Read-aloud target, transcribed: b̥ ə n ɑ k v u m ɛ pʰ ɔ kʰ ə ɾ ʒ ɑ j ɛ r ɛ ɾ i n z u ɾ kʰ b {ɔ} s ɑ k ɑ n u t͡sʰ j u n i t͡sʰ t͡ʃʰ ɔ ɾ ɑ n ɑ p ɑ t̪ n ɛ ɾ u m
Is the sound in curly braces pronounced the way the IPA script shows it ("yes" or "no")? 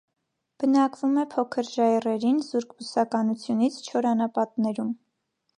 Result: no